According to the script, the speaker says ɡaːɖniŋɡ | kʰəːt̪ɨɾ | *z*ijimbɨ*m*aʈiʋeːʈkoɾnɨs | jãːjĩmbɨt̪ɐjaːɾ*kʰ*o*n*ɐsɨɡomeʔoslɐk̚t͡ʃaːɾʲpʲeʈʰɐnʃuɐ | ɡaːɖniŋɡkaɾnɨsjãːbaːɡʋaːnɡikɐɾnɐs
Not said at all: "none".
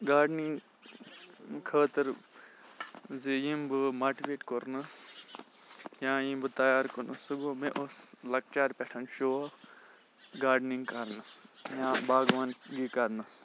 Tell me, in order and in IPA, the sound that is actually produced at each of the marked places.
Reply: z, m, k, n

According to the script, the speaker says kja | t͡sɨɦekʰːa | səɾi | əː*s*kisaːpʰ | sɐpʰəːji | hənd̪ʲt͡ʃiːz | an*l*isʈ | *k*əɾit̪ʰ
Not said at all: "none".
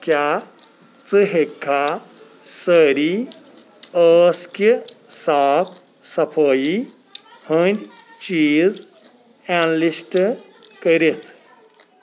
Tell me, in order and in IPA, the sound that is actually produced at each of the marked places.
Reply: s, l, k

